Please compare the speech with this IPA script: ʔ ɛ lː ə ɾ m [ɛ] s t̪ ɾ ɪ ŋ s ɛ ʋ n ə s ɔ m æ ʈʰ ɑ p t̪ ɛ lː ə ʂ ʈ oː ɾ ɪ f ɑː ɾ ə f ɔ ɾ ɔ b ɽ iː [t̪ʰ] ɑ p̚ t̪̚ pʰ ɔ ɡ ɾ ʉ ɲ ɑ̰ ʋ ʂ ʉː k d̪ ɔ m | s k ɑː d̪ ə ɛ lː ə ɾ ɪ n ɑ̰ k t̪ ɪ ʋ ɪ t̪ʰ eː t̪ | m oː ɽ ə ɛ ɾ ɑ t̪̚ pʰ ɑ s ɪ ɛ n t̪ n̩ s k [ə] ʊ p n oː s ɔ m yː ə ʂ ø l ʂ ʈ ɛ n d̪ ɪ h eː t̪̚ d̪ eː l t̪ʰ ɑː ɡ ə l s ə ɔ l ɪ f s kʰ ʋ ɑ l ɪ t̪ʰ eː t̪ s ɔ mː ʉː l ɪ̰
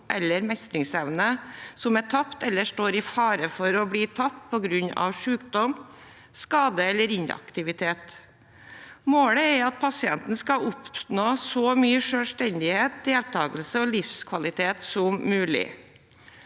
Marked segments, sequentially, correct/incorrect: correct, correct, incorrect: ɑ

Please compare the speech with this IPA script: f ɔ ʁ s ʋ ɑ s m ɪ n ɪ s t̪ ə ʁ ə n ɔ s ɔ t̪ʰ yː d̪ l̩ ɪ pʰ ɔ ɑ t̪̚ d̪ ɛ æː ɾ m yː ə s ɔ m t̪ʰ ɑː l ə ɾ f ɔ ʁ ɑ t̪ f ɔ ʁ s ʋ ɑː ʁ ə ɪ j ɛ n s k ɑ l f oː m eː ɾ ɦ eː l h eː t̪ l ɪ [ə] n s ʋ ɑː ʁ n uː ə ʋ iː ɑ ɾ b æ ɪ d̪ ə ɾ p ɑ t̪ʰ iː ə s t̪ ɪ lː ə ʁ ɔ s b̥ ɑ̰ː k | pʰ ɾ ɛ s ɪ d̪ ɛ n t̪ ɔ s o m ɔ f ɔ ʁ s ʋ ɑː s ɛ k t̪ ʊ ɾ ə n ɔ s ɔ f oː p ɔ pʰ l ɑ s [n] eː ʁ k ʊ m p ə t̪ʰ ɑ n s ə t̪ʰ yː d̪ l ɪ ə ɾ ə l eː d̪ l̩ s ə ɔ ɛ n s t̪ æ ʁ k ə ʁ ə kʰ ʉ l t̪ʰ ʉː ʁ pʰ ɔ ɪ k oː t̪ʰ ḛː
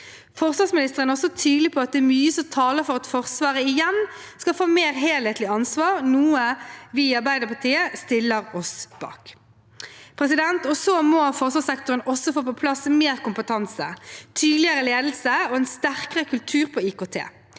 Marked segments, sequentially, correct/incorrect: incorrect: ɑ, incorrect: m

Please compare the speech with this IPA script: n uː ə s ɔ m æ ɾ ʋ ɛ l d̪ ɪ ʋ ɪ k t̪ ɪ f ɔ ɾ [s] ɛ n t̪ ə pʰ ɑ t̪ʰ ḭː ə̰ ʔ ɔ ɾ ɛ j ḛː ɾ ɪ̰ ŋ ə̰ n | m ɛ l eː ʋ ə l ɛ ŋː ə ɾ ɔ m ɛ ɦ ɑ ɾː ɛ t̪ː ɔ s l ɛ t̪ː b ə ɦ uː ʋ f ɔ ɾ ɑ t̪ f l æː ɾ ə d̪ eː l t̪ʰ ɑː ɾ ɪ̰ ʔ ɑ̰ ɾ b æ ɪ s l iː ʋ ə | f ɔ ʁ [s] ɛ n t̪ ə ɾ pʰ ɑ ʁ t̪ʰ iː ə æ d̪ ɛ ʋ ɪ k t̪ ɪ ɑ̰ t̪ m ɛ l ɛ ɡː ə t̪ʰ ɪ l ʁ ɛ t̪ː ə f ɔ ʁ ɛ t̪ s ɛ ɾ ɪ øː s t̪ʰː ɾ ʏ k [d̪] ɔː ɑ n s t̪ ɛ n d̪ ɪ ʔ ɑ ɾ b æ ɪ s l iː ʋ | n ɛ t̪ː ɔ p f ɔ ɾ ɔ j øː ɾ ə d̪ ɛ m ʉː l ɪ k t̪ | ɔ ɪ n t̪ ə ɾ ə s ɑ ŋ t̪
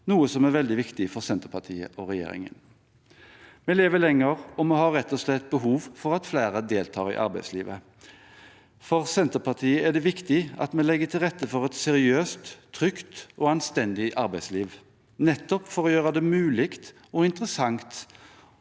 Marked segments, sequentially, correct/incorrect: correct, correct, incorrect: t̪

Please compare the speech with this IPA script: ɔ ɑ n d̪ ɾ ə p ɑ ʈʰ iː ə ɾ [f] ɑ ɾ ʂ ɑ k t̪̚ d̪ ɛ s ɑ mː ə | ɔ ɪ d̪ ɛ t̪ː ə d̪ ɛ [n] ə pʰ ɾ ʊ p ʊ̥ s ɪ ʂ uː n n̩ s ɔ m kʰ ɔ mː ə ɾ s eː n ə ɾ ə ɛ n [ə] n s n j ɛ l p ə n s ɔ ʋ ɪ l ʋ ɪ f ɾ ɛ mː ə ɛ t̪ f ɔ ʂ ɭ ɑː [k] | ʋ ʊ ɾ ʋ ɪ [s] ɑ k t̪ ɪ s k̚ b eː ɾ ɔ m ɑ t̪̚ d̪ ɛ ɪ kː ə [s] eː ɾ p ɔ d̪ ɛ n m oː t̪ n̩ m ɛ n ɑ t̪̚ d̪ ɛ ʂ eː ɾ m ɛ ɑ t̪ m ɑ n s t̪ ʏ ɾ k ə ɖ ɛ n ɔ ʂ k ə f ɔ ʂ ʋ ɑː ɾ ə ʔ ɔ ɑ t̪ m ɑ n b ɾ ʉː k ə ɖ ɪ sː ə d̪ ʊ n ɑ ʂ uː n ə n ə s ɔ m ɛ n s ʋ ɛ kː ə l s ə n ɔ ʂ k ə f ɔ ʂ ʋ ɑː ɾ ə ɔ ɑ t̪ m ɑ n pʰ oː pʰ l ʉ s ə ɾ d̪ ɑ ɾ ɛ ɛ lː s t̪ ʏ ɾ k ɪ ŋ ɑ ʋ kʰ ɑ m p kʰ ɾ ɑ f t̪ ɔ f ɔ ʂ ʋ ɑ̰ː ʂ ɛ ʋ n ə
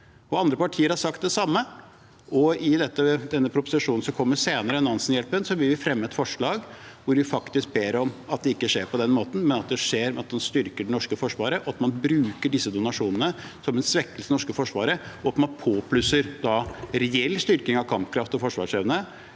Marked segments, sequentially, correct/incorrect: incorrect: h, incorrect: nː, incorrect: ɑ, incorrect: ɡ, incorrect: f, incorrect: ʂ

